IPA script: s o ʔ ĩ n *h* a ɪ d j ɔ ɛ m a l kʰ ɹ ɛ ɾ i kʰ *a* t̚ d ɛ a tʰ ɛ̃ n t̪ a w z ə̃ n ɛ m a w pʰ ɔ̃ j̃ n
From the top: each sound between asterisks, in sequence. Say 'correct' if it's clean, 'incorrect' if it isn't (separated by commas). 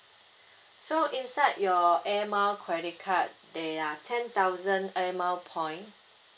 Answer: incorrect, correct